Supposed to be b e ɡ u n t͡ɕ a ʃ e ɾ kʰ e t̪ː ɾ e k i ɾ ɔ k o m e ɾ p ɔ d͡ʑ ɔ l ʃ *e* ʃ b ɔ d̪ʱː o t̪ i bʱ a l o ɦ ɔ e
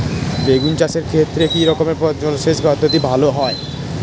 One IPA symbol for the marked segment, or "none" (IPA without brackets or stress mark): e